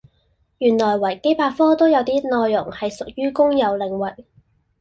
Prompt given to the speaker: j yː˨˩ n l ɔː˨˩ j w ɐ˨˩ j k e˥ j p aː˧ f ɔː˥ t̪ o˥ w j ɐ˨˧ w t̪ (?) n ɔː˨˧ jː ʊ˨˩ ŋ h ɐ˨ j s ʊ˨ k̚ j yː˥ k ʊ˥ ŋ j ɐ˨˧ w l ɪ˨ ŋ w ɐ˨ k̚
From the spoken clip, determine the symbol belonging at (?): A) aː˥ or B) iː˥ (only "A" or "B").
B